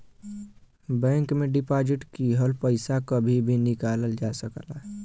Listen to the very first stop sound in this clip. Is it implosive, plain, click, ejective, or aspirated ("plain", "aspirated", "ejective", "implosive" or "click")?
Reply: plain